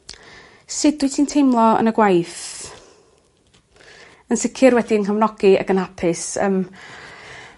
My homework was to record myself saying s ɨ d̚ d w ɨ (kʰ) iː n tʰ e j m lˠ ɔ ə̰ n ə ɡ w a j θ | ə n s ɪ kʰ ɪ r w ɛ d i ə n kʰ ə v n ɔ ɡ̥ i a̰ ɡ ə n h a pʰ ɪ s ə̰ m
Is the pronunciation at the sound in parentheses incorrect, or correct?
incorrect